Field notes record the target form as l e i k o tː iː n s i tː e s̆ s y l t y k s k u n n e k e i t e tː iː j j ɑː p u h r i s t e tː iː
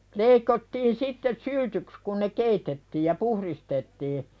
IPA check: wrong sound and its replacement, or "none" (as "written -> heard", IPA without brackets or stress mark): ɑː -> ɑ